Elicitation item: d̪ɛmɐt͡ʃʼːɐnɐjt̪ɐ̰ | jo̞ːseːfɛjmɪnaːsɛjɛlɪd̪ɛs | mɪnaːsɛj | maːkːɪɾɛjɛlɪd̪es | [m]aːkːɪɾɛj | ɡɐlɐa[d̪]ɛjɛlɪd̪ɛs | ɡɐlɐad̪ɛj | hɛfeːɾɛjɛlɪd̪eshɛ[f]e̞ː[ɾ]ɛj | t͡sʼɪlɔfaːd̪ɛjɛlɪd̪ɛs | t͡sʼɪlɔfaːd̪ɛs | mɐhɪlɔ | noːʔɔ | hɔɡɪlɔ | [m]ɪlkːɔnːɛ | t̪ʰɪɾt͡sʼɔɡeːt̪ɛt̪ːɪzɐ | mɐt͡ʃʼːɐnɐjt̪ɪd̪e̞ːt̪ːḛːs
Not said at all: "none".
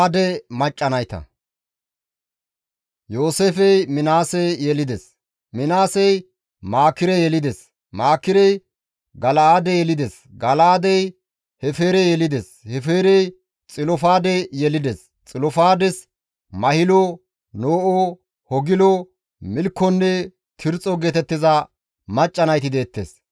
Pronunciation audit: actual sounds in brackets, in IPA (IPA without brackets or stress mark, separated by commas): m, d̪, f, ɾ, m